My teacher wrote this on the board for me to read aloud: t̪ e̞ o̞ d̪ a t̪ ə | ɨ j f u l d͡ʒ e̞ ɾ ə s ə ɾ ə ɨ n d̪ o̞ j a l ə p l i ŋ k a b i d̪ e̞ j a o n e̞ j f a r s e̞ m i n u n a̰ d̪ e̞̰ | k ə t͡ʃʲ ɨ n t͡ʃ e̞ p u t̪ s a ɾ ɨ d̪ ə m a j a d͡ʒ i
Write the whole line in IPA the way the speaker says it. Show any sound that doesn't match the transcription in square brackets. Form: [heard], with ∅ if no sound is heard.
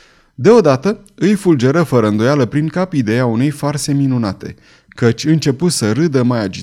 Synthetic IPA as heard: [d̪] e̞ o̞ d̪ a t̪ ə | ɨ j f u l d͡ʒ e̞ ɾ ə [f] ə ɾ ə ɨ n d̪ o̞ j a l ə p [ɾ] i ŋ k a [p] i d̪ e̞ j a [u] n e̞ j f a r s e̞ m i n u n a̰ [t̪] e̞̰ | k ə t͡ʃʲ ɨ n t͡ʃ e̞ p u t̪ s [ə] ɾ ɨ d̪ ə m a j a d͡ʒ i